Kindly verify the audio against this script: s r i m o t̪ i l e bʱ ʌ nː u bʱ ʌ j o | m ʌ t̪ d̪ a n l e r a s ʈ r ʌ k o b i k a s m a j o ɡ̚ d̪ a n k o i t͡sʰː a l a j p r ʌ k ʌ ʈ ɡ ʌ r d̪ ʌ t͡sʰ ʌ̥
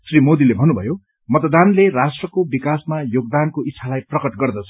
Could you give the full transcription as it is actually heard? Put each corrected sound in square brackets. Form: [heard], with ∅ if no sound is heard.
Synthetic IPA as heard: s r i m o [d̪] i l e bʱ ʌ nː u bʱ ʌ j o | m ʌ t̪ d̪ a n l e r a s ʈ r ʌ k o b i k a s m a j o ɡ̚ d̪ a n k o i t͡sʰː a l a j p r ʌ k ʌ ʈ ɡ ʌ r d̪ ʌ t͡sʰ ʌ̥